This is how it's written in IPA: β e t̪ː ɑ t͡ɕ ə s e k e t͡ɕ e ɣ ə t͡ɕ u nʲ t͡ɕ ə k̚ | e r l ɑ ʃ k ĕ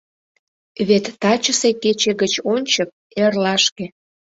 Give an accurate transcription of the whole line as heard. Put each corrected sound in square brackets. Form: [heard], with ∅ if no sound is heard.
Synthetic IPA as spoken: β e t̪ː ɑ t͡ɕ ə s e k e t͡ɕ e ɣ ə t͡ɕ [o] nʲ t͡ɕ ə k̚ | e r l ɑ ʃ k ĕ